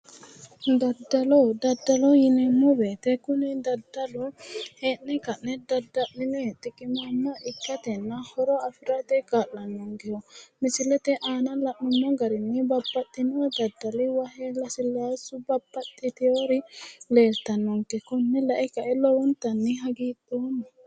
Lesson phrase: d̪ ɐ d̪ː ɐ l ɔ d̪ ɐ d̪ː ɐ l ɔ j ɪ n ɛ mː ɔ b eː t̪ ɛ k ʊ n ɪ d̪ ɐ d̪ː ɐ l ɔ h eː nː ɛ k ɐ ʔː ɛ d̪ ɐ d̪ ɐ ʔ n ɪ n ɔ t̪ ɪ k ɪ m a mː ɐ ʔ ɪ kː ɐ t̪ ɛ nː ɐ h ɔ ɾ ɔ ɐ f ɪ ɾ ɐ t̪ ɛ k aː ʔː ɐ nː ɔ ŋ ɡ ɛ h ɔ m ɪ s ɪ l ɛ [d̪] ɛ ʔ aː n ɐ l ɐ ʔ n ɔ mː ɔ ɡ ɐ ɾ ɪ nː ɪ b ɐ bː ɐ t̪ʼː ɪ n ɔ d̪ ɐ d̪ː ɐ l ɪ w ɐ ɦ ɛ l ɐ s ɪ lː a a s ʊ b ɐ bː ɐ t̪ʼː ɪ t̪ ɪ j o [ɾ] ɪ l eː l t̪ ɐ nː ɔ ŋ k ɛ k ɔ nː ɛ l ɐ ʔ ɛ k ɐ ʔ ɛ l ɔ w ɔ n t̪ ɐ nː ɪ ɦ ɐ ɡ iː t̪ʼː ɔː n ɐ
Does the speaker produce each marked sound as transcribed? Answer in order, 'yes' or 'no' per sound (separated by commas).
no, yes